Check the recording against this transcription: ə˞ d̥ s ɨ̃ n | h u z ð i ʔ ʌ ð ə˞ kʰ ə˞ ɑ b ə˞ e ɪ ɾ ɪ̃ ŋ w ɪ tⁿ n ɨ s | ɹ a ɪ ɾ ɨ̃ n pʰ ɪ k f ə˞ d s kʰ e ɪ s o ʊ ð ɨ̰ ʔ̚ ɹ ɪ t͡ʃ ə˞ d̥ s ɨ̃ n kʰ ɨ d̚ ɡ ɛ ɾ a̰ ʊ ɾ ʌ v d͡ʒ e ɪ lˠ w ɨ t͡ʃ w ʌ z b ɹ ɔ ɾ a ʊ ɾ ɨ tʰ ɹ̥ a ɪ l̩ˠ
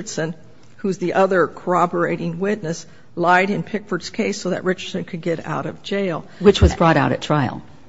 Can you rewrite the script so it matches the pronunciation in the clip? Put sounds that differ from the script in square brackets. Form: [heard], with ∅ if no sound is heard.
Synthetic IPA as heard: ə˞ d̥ s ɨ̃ n | h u z ð i ʔ ʌ ð ə˞ kʰ ə˞ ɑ b ə˞ e ɪ ɾ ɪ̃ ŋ w ɪ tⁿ n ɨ s | [l] a ɪ ɾ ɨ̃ n pʰ ɪ k f ə˞ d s kʰ e ɪ s o ʊ ð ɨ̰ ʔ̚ ɹ ɪ t͡ʃ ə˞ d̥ s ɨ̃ n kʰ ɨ d̚ ɡ ɛ ɾ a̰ ʊ ɾ ʌ v d͡ʒ e ɪ lˠ w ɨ t͡ʃ w ʌ z b ɹ ɔ ɾ a ʊ ɾ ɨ tʰ ɹ̥ a ɪ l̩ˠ

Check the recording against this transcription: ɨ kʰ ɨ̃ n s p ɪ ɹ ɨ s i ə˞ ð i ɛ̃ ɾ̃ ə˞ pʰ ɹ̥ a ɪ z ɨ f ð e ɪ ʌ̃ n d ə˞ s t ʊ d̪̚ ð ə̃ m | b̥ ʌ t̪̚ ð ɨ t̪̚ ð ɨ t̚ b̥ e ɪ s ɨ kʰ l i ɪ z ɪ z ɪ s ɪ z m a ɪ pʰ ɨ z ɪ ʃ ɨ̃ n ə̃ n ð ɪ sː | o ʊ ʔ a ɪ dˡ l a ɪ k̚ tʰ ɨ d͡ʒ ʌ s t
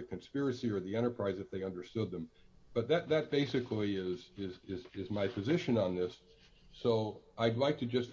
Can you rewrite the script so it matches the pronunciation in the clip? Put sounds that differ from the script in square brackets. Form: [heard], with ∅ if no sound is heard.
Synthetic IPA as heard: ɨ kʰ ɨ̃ n s p ɪ ɹ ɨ s i ə˞ ð i ɛ̃ ɾ̃ ə˞ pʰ ɹ̥ a ɪ z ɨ f ð e ɪ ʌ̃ n d ə˞ s t ʊ d̪̚ ð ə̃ m | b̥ ʌ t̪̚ ð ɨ t̪̚ ð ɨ t̚ b̥ e ɪ s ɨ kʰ l i ɪ z ɪ z ɪ [z] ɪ z m a ɪ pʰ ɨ z ɪ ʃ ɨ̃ n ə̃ n ð ɪ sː | o ʊ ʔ a ɪ dˡ l a ɪ k̚ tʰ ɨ d͡ʒ ʌ s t

